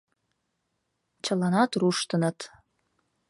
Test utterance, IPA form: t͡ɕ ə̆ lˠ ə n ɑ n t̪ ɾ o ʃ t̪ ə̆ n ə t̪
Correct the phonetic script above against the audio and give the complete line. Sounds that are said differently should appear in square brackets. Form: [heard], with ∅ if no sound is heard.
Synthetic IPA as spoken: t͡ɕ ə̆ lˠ [ɑ] n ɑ [∅] t̪ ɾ [u] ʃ t̪ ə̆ n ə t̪